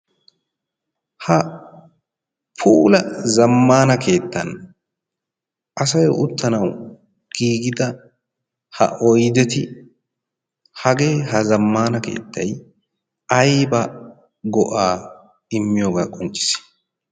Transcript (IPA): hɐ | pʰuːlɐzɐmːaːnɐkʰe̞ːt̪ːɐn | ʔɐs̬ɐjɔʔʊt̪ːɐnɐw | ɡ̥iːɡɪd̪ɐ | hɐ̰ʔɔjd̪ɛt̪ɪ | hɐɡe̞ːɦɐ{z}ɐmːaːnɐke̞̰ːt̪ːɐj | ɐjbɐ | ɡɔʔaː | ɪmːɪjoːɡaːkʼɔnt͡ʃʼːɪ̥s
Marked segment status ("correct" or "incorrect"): correct